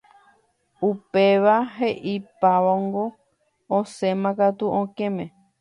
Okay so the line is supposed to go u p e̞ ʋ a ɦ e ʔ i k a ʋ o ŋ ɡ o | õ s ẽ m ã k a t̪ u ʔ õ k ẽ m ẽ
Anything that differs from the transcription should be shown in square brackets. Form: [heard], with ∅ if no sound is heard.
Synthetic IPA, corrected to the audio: u p e̞ ʋ a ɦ e ʔ i [p] a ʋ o ŋ ɡ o | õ s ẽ m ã k a t̪ u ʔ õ k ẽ m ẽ